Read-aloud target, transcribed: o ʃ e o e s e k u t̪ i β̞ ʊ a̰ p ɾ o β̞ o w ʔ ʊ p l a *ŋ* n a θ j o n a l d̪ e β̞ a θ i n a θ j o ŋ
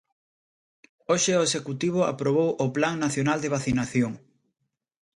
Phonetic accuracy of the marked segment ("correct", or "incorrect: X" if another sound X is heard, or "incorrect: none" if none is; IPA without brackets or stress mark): correct